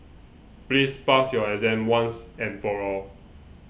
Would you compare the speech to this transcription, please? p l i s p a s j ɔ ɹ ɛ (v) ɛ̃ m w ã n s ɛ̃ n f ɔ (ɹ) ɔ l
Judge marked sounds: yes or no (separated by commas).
no, yes